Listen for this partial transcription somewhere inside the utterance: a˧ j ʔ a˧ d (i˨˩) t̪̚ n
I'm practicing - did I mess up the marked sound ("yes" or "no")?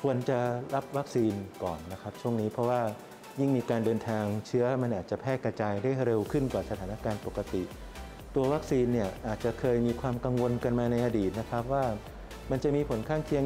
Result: yes